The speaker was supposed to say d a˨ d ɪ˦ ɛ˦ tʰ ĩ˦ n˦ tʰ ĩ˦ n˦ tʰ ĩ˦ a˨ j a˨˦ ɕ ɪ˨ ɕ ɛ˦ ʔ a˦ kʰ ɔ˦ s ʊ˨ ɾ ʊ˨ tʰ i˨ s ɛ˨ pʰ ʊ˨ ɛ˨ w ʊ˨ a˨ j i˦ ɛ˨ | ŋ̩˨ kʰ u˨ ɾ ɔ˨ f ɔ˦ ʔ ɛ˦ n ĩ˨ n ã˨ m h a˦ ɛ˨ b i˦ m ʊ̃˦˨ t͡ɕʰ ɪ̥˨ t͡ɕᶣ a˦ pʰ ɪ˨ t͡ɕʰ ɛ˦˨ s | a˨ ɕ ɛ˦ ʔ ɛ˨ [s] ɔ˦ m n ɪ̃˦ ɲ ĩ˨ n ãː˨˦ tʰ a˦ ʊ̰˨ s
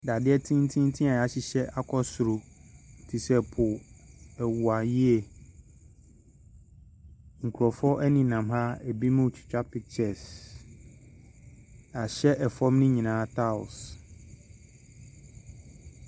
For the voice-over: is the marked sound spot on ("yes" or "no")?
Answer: no